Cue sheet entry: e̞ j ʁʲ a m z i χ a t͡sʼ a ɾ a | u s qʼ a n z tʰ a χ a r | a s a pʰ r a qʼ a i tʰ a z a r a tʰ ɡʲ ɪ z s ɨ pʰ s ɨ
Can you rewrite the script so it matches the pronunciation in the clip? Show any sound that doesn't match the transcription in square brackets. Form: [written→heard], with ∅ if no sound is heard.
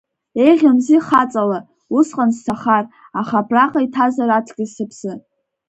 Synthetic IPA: e̞ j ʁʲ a m z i χ a t͡sʼ a [ɾ→l] a | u s qʼ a n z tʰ a χ a r | a [s→χ] a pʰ r a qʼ a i tʰ a z a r a tʰ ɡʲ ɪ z s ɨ pʰ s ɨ

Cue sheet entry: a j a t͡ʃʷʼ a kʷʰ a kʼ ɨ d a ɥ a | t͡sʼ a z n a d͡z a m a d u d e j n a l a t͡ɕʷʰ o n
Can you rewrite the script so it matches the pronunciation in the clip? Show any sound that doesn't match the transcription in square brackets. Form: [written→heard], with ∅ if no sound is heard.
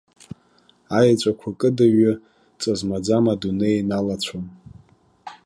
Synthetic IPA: a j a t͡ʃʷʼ a kʷʰ a kʼ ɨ d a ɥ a | t͡sʼ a z [n→m] a d͡z a m a d u [d→n] e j n a l a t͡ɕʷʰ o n

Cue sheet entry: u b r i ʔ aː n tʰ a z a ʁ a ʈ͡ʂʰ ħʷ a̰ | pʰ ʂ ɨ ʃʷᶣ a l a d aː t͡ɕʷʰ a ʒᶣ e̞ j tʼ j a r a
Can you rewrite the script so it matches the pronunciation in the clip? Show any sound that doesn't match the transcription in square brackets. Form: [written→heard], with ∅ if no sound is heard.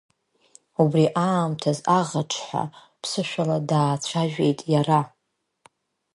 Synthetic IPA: u b r i ʔ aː [n→m] tʰ a z a ʁ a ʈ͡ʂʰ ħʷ a̰ | pʰ [ʂ→s] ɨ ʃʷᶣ a l a d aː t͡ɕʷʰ a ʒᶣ e̞ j tʼ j a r a

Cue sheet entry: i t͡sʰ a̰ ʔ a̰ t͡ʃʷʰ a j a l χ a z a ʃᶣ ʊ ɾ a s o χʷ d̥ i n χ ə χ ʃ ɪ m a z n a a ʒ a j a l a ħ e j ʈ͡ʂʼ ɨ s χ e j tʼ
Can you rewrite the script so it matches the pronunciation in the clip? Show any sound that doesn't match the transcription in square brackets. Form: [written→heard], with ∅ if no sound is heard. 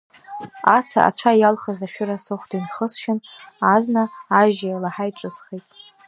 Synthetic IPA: [i→a] t͡sʰ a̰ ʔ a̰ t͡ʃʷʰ a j a l χ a z a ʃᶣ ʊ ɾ a s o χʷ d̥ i n χ ə [χ→s] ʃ ɪ [m→n] a z n a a ʒ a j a l a ħ [e→a] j ʈ͡ʂʼ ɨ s χ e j tʼ

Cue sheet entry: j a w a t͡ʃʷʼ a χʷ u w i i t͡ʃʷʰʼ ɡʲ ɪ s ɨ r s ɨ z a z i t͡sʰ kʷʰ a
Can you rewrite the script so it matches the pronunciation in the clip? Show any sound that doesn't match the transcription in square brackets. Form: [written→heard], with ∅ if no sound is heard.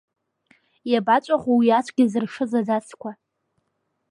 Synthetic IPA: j a [w→b] a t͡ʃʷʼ a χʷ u w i [i→a] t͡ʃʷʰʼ ɡʲ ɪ [s→z] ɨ r [s→ʂ] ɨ z a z [i→a] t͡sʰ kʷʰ a

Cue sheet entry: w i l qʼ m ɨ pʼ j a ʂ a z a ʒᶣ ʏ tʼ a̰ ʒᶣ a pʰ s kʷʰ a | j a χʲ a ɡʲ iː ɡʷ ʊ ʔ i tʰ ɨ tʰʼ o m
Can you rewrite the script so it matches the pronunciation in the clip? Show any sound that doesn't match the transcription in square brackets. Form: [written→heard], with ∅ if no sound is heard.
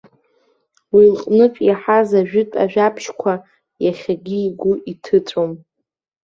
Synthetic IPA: w i l qʼ [m→n] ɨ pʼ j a [ʂ→ħ] a z a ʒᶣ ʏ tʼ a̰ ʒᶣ a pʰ [s→ʃ] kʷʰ a | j a χʲ a ɡʲ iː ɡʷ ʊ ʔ i tʰ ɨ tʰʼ o m

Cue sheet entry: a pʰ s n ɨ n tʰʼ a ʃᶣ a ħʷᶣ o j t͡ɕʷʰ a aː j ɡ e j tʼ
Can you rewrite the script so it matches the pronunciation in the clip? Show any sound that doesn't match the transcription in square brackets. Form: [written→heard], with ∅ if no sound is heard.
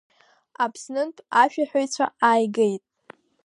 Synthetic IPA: a pʰ s n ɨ n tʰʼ a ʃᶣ a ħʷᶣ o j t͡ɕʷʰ a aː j ɡ e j tʼ

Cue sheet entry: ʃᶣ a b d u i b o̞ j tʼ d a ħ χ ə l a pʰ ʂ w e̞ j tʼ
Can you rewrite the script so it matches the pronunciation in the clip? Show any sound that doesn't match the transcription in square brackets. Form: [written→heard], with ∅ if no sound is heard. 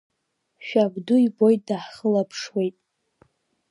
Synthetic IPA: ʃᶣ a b d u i b o̞ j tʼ d a ħ χ ə l a pʰ ʂ w e̞ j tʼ

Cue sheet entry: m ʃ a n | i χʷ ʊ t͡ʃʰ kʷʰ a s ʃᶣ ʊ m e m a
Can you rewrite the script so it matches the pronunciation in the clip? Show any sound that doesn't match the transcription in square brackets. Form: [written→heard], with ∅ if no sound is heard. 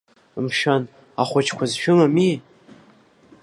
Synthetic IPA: m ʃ a n | [i→a] χʷ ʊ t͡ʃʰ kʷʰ a [s→z] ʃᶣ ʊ m [e→a] m [a→i]

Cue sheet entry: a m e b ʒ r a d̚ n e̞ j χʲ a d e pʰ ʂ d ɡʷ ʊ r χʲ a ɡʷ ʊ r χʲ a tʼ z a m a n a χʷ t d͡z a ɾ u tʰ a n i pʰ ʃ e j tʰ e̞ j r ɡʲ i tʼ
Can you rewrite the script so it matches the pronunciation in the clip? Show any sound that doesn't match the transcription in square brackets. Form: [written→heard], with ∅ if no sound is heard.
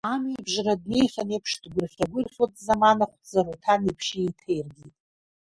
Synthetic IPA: a m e b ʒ r a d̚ n e̞ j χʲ a [d→n] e pʰ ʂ d ɡʷ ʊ r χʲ a ɡʷ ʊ r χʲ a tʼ z a m a n a χʷ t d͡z a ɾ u tʰ a n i pʰ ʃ e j tʰ e̞ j r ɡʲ i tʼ

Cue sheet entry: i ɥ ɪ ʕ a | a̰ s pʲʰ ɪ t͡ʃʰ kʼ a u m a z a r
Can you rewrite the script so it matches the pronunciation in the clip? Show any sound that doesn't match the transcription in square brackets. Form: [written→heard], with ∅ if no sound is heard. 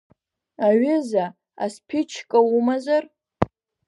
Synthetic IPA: [i→a] ɥ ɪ [ʕ→z] a | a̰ s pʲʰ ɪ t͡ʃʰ kʼ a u m a z a r

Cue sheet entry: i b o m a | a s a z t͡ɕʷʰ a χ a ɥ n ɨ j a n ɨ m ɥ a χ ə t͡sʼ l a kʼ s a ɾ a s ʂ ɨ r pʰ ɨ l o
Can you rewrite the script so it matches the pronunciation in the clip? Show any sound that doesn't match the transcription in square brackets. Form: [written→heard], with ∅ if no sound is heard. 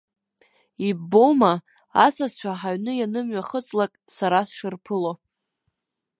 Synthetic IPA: i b o m a | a s a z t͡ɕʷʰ a [χ→ħ] a ɥ n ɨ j a n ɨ m ɥ a χ ə t͡sʼ l a kʼ s a ɾ a s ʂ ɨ r pʰ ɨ l o

